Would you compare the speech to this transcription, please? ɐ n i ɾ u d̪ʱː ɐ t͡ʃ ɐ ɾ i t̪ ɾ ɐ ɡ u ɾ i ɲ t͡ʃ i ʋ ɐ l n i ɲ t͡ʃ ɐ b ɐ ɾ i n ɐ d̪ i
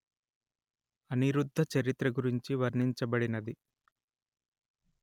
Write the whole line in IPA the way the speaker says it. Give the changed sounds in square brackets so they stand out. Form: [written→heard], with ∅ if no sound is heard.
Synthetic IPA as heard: ɐ n i ɾ u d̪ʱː ɐ t͡ʃ ɐ ɾ i t̪ ɾ ɐ ɡ u ɾ i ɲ t͡ʃ i ʋ ɐ [l→ɾ] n i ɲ t͡ʃ ɐ b ɐ [ɾ→ɽ] i n ɐ d̪ i